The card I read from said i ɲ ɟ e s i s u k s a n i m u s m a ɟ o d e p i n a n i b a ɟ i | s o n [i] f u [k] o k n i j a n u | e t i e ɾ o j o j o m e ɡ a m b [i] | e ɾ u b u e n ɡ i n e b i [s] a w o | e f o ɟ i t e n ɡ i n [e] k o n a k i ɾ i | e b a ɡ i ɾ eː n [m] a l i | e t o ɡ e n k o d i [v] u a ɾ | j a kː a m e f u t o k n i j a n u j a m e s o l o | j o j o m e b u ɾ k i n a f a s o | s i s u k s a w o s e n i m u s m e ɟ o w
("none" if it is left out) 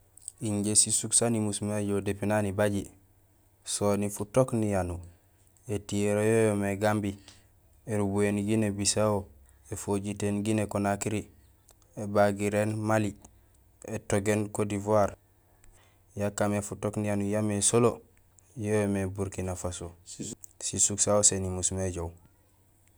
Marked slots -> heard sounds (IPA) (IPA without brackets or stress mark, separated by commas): i, t, i, s, e, m, v